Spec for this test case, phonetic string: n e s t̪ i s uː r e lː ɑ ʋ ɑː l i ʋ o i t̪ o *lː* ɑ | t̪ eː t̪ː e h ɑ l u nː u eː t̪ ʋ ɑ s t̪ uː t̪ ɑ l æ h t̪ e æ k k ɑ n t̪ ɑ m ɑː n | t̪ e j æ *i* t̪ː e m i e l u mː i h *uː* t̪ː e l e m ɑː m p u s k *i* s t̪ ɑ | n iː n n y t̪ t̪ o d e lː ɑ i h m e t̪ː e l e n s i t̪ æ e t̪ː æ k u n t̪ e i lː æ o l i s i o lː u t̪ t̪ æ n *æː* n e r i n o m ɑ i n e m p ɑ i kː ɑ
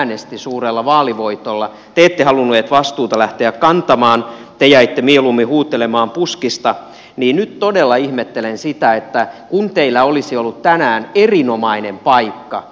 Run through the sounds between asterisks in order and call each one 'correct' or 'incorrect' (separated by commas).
correct, correct, correct, correct, correct